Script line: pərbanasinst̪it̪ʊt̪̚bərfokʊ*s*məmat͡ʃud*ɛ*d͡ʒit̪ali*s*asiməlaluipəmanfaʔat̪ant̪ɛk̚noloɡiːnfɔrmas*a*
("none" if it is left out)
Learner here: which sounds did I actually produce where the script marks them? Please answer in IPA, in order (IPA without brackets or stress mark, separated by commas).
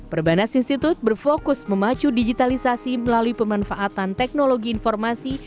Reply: s, i, s, i